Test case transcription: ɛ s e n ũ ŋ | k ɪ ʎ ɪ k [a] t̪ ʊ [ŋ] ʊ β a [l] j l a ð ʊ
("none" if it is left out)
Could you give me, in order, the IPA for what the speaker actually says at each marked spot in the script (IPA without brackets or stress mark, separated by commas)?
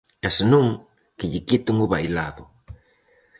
i, ŋ, none